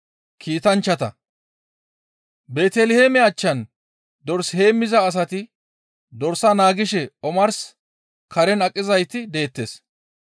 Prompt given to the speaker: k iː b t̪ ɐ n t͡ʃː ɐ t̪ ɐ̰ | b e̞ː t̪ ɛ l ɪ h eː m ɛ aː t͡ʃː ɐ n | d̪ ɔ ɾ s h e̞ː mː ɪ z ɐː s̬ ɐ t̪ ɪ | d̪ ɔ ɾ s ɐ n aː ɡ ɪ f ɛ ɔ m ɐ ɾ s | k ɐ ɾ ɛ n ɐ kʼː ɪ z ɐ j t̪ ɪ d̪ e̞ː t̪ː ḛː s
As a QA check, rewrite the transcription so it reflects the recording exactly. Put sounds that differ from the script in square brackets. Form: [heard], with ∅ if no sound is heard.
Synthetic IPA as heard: k iː [∅] t̪ ɐ n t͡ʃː ɐ t̪ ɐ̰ | b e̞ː t̪ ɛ l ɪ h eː m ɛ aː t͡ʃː ɐ n | d̪ ɔ ɾ s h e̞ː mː ɪ z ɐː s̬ ɐ t̪ ɪ | d̪ ɔ ɾ s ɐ n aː ɡ ɪ [ʃ] ɛ ɔ m ɐ ɾ s | k ɐ ɾ ɛ n ɐ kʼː ɪ z ɐ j t̪ ɪ d̪ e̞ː t̪ː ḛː s